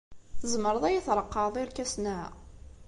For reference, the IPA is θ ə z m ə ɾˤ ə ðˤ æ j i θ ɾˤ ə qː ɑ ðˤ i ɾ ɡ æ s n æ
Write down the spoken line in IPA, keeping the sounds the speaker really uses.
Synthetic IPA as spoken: θ ə z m ə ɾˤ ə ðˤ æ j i θ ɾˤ ə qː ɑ ðˤ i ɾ k æ s n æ